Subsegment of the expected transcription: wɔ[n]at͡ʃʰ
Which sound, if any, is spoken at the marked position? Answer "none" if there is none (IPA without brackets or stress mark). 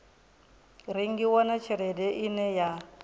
n